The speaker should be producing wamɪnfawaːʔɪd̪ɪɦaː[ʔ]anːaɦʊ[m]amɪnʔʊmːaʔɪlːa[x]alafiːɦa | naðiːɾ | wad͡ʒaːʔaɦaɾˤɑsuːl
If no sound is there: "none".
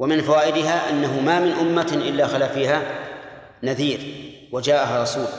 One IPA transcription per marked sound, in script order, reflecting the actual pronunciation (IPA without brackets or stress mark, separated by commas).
ʔ, m, x